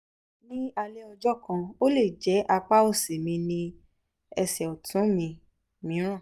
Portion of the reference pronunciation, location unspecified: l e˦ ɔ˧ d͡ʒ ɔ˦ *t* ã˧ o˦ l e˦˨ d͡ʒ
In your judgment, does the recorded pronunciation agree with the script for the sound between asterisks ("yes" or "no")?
no